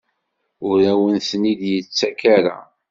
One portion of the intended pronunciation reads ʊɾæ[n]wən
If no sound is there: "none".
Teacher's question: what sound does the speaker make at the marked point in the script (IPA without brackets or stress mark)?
none